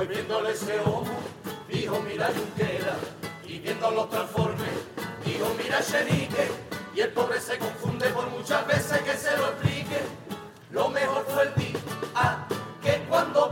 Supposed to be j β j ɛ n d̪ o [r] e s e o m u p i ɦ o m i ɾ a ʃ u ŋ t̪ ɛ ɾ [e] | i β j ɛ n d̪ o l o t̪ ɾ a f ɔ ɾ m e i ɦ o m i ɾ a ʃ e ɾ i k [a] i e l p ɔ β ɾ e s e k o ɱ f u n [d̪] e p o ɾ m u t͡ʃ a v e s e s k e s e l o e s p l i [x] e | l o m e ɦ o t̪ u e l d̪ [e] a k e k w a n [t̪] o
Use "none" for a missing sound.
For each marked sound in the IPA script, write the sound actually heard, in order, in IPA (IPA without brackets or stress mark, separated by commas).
l, a, e, d̪, k, i, d̪